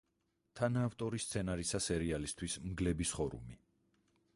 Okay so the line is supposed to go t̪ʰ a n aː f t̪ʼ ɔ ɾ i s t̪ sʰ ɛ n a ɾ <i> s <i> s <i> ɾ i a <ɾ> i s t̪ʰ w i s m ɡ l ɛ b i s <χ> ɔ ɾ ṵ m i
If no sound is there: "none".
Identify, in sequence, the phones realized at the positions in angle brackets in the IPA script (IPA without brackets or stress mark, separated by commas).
i, a, ɛ, l, χ